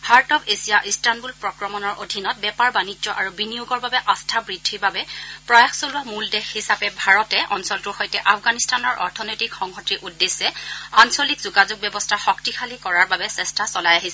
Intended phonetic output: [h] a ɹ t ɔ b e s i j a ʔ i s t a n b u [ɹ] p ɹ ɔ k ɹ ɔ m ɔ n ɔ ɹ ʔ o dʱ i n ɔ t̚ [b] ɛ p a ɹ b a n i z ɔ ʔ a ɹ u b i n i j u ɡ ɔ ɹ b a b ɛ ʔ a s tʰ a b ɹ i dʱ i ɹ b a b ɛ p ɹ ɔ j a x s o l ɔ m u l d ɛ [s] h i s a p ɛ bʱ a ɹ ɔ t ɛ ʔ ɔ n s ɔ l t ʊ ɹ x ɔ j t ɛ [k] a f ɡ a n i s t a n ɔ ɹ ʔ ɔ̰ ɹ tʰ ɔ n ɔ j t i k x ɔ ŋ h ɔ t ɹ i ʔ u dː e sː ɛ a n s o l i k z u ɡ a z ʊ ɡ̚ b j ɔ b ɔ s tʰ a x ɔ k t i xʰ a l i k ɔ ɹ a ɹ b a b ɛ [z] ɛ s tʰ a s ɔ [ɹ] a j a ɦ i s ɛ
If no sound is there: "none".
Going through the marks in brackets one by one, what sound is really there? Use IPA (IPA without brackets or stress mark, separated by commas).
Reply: h, l, b, x, ʔ, s, l